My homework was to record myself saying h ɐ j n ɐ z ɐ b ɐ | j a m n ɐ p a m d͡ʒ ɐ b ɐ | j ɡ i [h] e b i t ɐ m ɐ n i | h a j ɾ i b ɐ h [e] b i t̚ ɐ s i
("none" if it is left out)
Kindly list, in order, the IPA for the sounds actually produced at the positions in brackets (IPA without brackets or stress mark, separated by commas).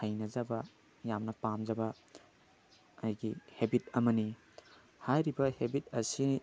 h, e